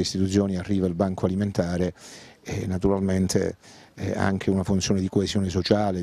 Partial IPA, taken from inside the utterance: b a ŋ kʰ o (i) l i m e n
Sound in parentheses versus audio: incorrect: a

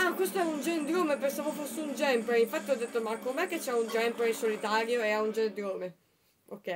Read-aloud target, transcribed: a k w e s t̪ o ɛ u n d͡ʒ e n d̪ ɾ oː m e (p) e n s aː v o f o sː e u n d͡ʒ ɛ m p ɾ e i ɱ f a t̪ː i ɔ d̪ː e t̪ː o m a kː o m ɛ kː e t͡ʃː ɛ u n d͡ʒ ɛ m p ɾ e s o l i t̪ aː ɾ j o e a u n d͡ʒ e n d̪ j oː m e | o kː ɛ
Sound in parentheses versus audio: correct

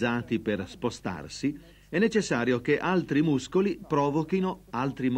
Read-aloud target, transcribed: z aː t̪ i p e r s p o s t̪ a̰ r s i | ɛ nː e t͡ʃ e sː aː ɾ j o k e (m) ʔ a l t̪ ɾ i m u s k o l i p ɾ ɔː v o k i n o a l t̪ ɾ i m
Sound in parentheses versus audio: incorrect: none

